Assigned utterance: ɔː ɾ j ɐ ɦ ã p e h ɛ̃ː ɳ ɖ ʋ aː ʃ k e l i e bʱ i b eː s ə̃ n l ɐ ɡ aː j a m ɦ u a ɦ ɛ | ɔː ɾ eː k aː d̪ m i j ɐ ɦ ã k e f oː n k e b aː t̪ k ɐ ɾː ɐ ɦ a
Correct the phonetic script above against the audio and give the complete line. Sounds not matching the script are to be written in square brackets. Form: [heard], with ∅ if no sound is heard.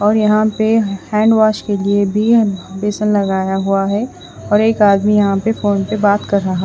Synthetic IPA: ɔː ɾ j ɐ ɦ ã p e h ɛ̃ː ɳ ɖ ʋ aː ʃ k e l i e bʱ i b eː s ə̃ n l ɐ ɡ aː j a [∅] ɦ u a ɦ ɛ | ɔː ɾ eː k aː d̪ m i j ɐ ɦ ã [p] e f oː n [p] e b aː t̪ k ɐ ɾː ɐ ɦ a